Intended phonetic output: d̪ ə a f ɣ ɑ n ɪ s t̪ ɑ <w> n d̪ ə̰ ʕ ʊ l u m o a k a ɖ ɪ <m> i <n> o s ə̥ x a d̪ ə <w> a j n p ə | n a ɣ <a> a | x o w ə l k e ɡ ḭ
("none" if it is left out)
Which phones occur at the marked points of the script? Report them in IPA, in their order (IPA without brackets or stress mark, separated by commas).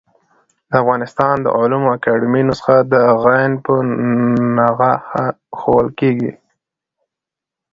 none, m, n, ɣ, a